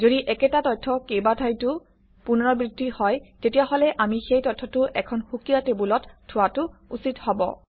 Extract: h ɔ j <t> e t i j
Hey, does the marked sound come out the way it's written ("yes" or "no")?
yes